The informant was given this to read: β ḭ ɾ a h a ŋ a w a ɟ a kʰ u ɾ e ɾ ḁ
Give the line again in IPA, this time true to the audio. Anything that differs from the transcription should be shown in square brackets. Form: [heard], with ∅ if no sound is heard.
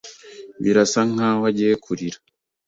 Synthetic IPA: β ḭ ɾ a [s] a ŋ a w a ɟ [e] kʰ u ɾ [i] ɾ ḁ